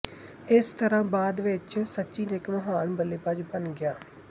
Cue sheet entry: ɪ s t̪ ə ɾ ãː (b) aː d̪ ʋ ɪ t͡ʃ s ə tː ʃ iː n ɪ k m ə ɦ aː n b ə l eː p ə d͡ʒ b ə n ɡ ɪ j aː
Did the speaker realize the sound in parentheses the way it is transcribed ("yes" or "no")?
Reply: yes